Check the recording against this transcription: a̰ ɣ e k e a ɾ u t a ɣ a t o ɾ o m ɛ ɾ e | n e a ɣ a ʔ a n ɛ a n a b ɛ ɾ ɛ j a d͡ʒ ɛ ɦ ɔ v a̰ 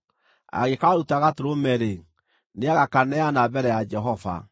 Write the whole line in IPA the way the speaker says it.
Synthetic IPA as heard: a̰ ɣ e k a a ɾ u t a ɣ a t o ɾ o m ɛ ɾ e | n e a ɣ a k a n ɛ a n a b ɛ ɾ ɛ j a d͡ʒ ɛ ɦ ɔ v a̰